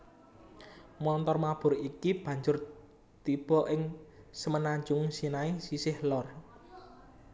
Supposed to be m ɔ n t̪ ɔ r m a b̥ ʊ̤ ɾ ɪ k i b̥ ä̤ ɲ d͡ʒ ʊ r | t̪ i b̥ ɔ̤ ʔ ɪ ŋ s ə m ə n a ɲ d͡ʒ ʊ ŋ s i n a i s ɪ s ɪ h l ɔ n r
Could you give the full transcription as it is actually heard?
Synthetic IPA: m ɔ n t̪ ɔ r m a b̥ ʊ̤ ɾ i k i b̥ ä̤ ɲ d͡ʒ ʊ r | t̪ i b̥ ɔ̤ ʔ ɪ ŋ s ə m ə n a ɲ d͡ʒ ʊ ŋ s i n a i s i s ɪ h l ɔ r

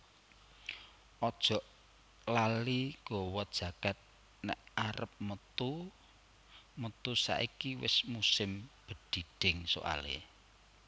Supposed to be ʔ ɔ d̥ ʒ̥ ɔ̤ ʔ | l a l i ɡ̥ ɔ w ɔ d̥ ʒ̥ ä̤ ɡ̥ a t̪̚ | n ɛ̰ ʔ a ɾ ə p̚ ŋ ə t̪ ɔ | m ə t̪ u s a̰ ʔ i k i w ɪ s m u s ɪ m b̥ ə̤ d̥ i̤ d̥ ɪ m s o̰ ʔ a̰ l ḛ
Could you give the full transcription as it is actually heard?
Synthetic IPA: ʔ ɔ d̥ ʒ̥ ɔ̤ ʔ | l a l i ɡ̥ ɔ w ɔ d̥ ʒ̥ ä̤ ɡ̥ a t̪̚ | n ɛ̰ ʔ a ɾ ə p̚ m ə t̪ u | m ə t̪ u s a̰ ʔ i k i w ɪ s m u s ɪ m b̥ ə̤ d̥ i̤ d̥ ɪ ŋ s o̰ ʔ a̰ l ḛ

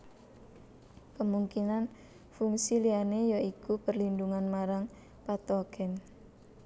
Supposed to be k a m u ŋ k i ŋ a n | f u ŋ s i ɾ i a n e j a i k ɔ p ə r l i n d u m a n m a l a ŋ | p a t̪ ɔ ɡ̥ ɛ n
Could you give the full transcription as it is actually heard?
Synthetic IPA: k ə m u ŋ k i n a n | f u ŋ s i l i a n e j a i k u p ə r l i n d u ŋ a n m a ɾ a ŋ | p a t̪ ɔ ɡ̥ ɛ n

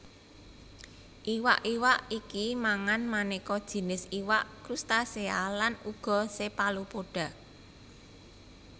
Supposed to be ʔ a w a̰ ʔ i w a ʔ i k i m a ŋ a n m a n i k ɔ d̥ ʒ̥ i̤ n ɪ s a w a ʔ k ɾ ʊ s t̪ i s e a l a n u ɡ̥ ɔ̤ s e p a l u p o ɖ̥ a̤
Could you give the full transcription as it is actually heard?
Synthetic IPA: ʔ i w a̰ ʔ i w a ʔ i k i m a ŋ a n m a n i k ɔ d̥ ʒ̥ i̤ n ɪ s i w a ʔ k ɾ u s t̪ a s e a l a n u ɡ̥ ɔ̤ s e p a l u p o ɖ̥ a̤

